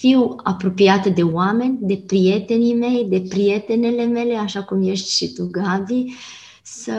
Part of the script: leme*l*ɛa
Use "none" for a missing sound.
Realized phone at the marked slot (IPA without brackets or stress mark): l